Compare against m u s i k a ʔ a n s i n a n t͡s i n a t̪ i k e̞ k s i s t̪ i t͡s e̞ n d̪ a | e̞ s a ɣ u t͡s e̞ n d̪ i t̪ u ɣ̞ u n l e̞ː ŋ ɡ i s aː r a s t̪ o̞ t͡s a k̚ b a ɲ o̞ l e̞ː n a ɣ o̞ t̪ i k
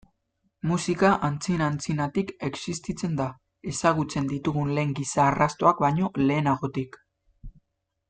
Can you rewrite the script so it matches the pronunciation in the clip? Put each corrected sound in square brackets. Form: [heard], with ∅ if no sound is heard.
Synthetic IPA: m u s i k a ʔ a n [t͡s] i n a n t͡s i n a t̪ i k e̞ k s i s t̪ i t͡s e̞ n d̪ a | e̞ s a ɣ u t͡s e̞ n d̪ i t̪ u ɣ̞ u n l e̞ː ŋ ɡ i s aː r a s t̪ o̞ [∅] a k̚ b a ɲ o̞ l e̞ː n a ɣ o̞ t̪ i k